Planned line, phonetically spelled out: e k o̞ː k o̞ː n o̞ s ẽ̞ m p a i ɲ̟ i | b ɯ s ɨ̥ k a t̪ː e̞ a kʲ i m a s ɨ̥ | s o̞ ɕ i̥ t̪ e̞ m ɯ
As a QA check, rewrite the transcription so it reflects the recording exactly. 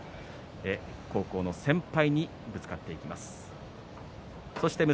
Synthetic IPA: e k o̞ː k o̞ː n o̞ s ẽ̞ m p a i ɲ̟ i | b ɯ t͡s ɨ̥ k a t̪ː e̞ i kʲ i m a s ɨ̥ | s o̞ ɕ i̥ t̪ e̞ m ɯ